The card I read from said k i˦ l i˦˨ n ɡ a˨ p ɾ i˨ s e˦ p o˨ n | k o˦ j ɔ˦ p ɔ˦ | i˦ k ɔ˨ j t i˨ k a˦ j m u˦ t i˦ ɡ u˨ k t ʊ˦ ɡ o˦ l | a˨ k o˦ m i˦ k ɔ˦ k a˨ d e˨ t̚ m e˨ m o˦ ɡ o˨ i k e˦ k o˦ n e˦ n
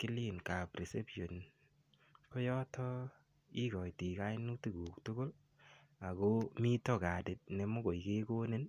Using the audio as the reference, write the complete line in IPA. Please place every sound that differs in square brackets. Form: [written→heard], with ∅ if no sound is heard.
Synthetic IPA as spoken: k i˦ l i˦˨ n [ɡ→k] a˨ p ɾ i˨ s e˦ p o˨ n | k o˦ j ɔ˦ [p→t] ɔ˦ | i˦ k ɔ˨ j t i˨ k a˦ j [m→n] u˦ t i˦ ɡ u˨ k t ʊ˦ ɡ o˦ l | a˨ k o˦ m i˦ [k→t] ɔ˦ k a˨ d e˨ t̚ [m→n] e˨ m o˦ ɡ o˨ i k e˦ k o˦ n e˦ n